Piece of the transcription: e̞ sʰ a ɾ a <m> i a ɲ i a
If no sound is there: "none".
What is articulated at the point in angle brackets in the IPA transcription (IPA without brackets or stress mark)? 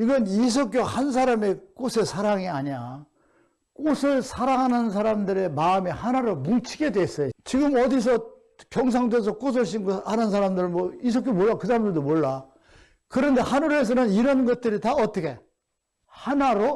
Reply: ŋ